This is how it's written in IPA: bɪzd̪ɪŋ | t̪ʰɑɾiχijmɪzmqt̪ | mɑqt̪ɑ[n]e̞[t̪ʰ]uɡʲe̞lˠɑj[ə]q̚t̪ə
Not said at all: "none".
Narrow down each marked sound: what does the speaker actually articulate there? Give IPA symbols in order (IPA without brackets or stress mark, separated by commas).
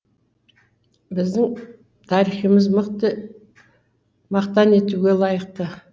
n, t̪, ə